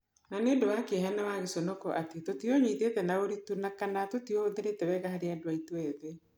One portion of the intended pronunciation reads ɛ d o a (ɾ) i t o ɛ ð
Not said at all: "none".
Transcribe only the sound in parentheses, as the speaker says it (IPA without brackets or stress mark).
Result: none